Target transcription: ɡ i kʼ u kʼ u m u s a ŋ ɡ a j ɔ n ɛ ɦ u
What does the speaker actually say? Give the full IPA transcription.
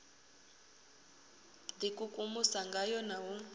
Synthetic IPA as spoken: d i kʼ u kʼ u m u s a ŋ ɡ a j ɔ n a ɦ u